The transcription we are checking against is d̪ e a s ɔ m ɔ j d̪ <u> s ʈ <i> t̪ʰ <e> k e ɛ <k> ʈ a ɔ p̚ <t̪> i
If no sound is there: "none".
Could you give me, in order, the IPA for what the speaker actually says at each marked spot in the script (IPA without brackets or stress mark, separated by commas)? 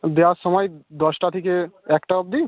ɔ, a, i, k, d̪